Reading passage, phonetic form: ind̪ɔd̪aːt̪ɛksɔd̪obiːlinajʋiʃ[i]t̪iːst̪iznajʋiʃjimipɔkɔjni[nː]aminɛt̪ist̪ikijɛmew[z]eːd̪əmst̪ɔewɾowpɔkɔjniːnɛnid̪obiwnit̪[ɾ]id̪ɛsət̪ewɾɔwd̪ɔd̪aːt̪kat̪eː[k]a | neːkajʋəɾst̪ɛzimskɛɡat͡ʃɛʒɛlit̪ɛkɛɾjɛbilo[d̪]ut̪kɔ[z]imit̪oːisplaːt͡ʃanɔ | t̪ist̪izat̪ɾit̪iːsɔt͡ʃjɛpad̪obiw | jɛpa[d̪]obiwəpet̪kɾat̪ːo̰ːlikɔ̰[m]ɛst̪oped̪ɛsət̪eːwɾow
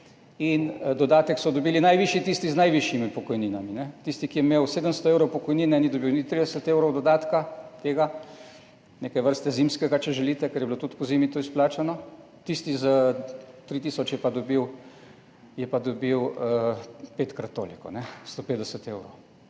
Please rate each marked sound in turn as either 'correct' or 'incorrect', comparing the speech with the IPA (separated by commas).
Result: correct, incorrect, incorrect, correct, incorrect, incorrect, correct, correct, incorrect